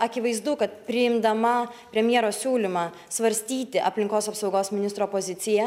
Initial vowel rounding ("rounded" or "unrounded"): unrounded